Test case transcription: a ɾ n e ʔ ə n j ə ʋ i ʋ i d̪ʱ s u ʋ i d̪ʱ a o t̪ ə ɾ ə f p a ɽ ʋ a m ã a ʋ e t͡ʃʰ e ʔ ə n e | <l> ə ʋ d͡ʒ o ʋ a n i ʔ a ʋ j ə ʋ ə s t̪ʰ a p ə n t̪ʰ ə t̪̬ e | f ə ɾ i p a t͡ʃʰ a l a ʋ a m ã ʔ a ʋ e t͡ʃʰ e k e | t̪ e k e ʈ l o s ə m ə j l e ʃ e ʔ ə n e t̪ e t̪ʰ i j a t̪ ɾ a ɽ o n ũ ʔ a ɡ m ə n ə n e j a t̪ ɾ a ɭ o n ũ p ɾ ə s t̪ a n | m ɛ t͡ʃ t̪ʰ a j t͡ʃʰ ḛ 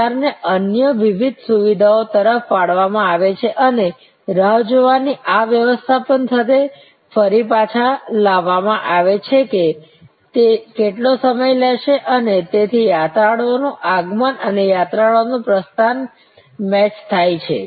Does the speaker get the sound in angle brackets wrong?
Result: yes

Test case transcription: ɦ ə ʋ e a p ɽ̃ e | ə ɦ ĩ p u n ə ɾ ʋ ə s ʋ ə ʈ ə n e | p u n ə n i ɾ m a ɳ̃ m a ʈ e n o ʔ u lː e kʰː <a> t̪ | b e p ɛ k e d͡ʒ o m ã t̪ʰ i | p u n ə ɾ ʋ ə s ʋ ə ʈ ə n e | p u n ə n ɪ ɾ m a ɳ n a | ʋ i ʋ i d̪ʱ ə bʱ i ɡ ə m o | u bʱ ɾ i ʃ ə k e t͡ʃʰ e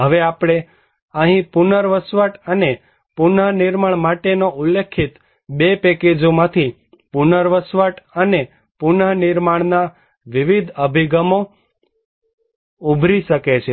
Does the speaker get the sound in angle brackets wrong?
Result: yes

